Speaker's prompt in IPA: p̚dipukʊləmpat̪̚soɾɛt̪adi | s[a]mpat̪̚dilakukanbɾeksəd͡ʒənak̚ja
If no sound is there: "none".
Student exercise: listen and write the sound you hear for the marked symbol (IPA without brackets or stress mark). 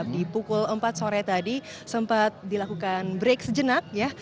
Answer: ə